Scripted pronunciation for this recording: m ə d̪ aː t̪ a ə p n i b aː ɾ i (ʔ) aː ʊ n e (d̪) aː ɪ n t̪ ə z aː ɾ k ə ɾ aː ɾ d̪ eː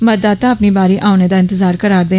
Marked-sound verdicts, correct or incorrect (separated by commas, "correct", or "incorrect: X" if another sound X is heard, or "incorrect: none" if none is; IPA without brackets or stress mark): correct, correct